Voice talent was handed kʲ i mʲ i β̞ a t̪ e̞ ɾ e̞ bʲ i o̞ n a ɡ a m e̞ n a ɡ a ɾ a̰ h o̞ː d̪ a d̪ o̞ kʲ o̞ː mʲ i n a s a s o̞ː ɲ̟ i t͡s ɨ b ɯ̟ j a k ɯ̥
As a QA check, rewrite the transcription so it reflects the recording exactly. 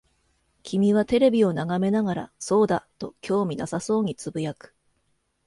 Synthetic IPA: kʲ i mʲ i β̞ a t̪ e̞ ɾ e̞ bʲ i o̞ n a ɡ a m e̞ n a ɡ a ɾ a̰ s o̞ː d̪ a t̪ o̞ kʲ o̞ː mʲ i n a s a s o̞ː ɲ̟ i t͡s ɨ b ɯ̟ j a k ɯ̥